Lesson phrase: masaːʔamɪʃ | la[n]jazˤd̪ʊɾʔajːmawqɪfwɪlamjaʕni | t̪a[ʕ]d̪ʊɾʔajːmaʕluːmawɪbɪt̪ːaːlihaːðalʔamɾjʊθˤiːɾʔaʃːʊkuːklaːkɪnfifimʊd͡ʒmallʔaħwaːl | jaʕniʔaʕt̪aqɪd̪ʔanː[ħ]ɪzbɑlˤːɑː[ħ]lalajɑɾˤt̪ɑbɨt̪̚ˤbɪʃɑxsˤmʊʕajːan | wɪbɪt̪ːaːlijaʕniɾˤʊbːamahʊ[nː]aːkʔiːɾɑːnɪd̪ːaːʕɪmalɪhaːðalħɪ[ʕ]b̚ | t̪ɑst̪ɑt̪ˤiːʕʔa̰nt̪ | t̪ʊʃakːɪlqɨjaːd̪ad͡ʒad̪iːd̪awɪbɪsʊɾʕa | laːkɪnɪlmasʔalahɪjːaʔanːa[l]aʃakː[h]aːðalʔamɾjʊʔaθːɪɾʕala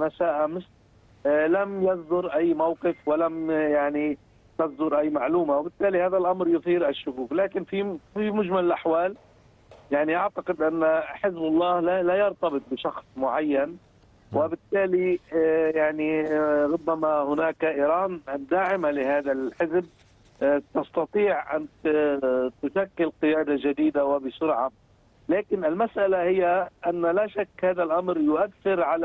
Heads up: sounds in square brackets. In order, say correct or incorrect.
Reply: incorrect, incorrect, correct, incorrect, incorrect, incorrect, correct, correct

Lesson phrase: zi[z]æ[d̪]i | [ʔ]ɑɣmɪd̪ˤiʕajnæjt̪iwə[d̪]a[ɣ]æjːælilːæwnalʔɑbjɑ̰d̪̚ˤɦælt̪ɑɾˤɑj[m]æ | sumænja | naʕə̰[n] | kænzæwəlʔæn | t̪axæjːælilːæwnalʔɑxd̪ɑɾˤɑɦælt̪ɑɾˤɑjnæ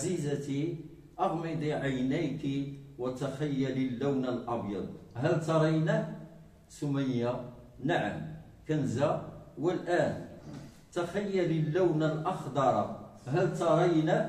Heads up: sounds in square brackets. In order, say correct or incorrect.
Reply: correct, incorrect, correct, incorrect, incorrect, incorrect, incorrect

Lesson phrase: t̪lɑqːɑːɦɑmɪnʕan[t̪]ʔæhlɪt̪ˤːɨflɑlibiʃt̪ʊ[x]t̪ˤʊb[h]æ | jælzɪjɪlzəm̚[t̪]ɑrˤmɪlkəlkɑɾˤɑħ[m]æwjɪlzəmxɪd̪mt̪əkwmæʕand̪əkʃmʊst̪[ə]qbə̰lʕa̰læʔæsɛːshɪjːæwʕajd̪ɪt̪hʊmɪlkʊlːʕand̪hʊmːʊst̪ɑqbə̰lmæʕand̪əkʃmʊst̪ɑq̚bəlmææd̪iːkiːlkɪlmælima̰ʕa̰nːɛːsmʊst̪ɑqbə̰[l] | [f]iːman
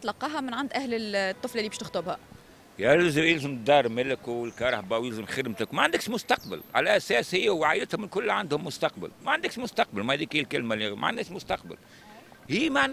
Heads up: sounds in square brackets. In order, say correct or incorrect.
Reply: incorrect, correct, correct, incorrect, incorrect, incorrect, correct, incorrect

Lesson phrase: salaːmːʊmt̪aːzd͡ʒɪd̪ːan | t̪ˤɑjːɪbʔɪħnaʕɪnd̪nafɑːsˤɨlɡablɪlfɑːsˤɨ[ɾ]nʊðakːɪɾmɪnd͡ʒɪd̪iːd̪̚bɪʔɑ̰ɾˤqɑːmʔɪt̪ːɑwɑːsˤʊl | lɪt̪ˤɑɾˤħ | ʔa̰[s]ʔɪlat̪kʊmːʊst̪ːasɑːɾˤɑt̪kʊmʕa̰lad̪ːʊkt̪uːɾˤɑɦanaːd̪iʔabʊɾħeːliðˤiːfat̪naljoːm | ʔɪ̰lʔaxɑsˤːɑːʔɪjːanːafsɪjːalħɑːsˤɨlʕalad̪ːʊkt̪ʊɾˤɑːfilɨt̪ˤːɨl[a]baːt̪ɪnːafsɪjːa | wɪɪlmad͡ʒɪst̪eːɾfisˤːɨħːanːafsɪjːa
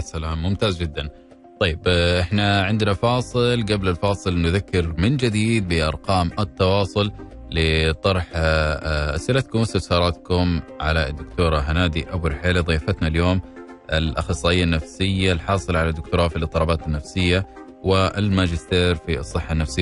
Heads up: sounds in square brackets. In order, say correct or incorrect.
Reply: incorrect, correct, incorrect

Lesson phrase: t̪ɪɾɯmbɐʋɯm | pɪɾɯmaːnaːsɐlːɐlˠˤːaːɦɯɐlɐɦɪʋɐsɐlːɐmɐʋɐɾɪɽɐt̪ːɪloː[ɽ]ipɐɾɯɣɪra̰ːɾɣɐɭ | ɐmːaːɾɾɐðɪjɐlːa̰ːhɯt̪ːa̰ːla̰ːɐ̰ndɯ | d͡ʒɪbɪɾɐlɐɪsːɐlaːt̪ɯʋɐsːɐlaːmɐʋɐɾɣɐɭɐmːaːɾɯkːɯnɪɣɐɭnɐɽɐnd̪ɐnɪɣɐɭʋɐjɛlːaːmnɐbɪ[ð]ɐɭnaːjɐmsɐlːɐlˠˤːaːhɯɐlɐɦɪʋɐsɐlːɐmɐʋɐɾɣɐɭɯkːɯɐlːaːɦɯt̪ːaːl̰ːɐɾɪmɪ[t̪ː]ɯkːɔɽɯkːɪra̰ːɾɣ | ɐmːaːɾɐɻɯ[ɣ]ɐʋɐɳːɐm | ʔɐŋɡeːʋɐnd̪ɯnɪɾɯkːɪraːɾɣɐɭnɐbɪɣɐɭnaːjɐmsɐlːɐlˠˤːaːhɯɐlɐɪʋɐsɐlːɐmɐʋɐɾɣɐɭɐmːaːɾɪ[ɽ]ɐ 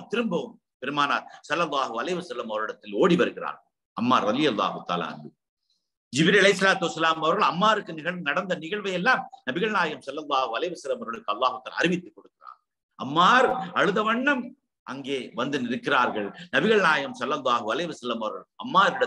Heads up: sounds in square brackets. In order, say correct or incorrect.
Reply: correct, incorrect, correct, incorrect, correct

